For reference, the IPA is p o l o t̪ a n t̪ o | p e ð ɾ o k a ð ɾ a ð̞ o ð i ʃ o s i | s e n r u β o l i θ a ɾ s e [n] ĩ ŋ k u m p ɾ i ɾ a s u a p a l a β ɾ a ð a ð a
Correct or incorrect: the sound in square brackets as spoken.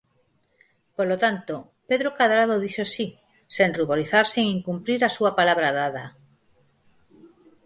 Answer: incorrect: ŋ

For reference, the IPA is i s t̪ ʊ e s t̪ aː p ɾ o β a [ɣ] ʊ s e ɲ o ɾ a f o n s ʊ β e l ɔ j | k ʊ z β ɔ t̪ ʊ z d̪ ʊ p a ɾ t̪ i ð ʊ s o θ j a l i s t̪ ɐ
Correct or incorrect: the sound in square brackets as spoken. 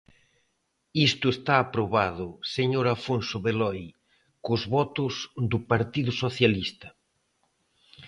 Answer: incorrect: ð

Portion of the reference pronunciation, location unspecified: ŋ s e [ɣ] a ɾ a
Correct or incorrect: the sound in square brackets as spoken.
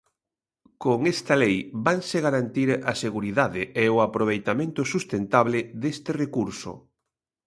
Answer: correct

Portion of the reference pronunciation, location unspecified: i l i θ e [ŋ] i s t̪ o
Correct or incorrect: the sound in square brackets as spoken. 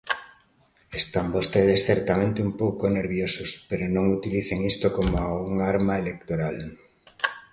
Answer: correct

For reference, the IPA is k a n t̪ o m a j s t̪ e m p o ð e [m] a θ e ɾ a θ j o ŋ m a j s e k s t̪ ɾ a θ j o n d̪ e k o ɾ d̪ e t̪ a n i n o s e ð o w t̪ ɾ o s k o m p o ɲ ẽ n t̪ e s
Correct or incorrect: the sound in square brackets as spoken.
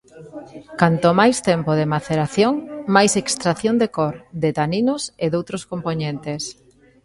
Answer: correct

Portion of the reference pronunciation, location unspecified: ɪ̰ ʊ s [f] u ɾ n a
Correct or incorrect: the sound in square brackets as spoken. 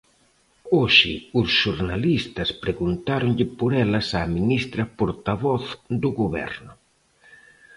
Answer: incorrect: ʃ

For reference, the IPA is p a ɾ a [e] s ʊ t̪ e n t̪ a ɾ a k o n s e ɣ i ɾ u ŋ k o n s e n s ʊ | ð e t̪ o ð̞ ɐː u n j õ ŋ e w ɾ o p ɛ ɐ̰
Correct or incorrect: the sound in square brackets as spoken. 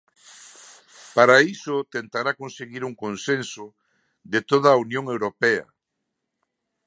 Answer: incorrect: i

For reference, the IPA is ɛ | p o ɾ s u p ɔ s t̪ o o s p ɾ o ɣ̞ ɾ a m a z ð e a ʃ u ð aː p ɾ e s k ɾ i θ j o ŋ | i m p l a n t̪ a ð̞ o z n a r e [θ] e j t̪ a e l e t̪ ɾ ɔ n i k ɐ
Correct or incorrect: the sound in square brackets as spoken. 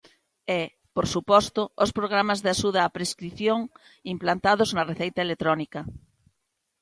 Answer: correct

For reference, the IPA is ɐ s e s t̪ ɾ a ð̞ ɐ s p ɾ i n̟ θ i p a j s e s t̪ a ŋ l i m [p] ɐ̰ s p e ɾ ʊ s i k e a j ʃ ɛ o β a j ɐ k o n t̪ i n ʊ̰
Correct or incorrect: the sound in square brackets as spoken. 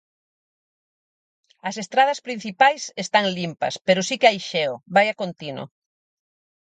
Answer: correct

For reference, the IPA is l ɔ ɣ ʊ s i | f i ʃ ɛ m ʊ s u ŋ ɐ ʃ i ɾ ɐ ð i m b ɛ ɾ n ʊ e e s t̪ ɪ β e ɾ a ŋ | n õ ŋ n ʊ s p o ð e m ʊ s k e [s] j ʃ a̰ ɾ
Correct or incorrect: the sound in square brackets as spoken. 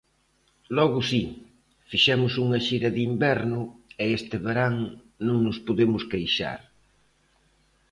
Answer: incorrect: none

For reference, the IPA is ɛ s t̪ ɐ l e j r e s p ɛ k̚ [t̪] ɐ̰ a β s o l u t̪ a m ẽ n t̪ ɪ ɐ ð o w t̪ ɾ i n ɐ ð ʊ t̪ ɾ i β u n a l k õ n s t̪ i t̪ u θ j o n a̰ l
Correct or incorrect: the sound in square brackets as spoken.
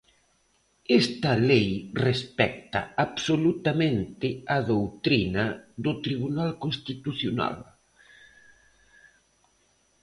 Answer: correct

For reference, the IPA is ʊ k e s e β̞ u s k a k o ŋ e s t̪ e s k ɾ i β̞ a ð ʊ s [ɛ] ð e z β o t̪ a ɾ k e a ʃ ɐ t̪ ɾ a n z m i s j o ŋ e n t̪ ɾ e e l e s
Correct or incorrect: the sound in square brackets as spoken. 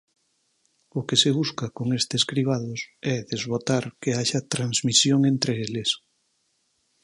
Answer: correct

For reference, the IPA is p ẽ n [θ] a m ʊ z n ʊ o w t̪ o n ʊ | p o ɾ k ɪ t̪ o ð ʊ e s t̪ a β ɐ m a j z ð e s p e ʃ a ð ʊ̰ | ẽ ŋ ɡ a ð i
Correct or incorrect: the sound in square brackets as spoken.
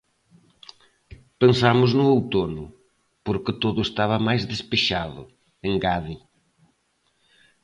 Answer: incorrect: s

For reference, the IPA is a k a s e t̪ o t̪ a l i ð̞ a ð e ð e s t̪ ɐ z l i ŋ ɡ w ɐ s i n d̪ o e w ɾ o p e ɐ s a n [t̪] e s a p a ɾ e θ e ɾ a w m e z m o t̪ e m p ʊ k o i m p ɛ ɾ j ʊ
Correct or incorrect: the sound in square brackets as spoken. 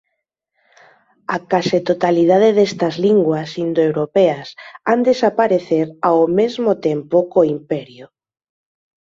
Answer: incorrect: d̪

